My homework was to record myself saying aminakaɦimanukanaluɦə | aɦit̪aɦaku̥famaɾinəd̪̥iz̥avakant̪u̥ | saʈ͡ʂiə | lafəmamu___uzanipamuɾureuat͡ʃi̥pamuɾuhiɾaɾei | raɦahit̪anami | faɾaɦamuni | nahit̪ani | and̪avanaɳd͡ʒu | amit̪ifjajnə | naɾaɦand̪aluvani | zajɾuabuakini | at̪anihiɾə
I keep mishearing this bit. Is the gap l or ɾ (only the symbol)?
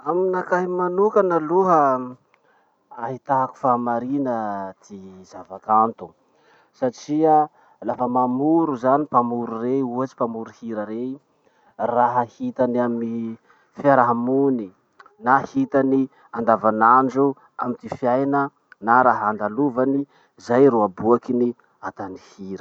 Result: ɾ